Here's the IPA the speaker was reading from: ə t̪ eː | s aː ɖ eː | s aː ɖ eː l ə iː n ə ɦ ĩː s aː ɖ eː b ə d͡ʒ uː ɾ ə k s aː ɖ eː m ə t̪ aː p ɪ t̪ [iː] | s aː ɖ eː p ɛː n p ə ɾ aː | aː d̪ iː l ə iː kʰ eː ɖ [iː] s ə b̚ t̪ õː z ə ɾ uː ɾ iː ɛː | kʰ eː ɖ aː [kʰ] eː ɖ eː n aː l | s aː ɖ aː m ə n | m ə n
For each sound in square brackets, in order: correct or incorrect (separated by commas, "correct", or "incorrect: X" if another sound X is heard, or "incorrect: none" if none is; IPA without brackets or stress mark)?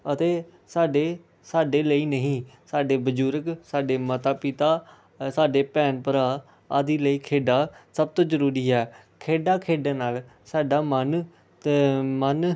incorrect: aː, incorrect: aː, correct